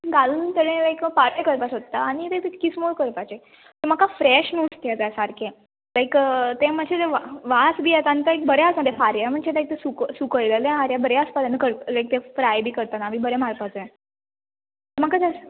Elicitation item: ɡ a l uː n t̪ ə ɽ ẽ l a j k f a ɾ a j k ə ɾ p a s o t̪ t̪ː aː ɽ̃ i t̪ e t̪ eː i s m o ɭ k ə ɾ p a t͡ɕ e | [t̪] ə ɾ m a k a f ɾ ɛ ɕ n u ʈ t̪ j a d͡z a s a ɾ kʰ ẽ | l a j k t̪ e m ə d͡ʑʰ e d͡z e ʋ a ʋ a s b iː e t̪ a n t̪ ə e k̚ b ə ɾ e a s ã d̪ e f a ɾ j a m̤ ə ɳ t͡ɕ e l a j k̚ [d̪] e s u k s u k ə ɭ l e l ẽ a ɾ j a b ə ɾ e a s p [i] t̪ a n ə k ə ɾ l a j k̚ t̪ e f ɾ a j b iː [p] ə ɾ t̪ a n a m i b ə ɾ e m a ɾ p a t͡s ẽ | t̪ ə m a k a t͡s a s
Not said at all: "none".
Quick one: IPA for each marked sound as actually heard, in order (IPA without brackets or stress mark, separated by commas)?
t̪, t̪, a, k